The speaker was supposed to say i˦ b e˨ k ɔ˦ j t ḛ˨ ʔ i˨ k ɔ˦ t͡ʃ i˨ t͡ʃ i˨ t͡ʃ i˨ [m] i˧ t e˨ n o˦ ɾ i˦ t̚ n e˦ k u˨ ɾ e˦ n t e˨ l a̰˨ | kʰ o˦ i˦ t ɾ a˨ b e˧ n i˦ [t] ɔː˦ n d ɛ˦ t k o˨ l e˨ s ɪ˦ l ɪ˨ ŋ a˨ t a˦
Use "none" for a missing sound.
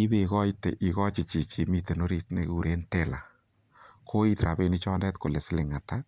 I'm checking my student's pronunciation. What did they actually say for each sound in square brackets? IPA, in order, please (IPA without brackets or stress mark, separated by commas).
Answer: m, t͡ʃ